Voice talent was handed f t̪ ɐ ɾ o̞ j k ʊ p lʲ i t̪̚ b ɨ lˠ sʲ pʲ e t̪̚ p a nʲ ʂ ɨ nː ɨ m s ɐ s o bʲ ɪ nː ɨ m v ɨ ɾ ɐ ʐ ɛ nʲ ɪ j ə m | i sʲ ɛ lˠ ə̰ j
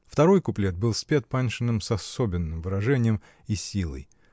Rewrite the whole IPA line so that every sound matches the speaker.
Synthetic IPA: f t̪ ɐ ɾ o̞ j k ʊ p lʲ e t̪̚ b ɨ lˠ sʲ pʲ e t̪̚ p a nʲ ʂ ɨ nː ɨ m s ɐ s o bʲ ɪ nː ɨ m v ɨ ɾ ɐ ʐ ɛ nʲ ɪ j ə m | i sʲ i lˠ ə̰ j